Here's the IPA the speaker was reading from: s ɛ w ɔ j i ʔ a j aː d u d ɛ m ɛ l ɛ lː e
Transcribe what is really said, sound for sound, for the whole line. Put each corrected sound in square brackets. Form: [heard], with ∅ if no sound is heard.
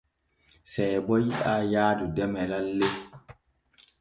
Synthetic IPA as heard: s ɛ [b] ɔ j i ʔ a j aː d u d ɛ m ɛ l [a] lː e